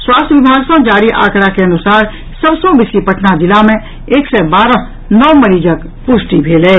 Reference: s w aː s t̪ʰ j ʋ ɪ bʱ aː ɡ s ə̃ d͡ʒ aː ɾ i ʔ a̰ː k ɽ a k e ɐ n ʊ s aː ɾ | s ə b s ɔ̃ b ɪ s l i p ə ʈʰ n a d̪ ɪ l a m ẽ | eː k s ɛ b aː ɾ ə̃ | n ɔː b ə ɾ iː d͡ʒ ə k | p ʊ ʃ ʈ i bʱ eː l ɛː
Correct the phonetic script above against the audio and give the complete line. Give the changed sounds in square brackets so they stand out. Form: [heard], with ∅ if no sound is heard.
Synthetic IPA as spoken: s w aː s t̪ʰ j ʋ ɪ bʱ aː ɡ s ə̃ d͡ʒ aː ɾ i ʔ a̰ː k ɽ a k e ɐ n ʊ s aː ɾ | s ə b s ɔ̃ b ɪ s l i p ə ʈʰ n a d̪ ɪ l a m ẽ | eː k s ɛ b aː ɾ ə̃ | n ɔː [m] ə ɾ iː d͡ʒ ə k | p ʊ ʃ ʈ i bʱ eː l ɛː